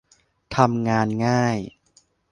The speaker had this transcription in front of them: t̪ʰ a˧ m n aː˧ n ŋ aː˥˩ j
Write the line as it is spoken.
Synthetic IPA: t̪ʰ a˧ m ŋ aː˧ n ŋ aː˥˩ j